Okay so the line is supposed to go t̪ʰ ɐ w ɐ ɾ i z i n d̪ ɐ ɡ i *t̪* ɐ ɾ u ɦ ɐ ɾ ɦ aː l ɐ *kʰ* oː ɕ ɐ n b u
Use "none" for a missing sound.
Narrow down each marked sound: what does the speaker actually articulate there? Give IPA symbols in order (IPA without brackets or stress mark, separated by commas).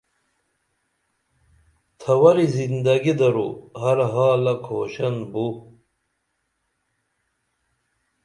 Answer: d̪, kʰ